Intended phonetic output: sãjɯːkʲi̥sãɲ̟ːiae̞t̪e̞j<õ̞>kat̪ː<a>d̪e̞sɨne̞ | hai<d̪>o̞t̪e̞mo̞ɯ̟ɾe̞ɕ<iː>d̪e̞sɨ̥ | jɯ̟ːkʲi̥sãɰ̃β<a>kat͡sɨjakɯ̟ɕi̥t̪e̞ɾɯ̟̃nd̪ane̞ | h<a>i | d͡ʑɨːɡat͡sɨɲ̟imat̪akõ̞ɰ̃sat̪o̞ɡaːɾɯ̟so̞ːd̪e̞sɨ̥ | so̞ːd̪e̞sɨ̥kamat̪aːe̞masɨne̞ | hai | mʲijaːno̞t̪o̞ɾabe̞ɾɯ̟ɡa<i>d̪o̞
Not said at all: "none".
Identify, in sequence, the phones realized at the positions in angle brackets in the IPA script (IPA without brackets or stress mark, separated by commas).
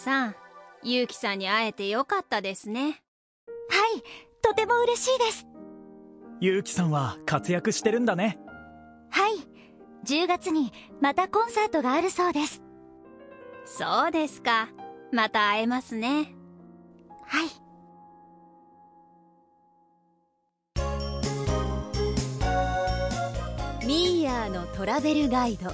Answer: o̞, a, t̪, iː, a, a, i